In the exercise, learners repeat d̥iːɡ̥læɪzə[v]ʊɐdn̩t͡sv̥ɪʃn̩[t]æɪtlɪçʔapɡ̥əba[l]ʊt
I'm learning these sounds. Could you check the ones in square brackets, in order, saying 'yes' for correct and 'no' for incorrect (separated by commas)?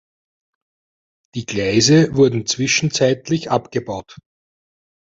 yes, no, no